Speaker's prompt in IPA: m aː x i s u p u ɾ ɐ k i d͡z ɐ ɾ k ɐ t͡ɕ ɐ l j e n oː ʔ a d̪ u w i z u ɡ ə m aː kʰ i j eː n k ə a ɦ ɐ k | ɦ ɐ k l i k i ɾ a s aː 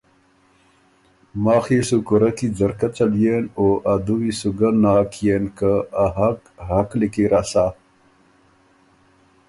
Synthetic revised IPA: m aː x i s u k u ɾ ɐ k i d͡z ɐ ɾ k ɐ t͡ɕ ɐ l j e n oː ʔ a d̪ u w i s u ɡ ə n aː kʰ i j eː n k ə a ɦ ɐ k | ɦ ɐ k l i k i ɾ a s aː